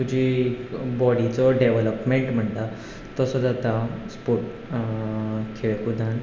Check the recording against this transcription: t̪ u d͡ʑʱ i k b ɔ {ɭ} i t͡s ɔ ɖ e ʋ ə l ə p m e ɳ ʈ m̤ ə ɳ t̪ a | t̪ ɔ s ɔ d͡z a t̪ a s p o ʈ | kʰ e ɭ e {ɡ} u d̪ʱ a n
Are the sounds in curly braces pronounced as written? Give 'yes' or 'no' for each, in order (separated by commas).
no, no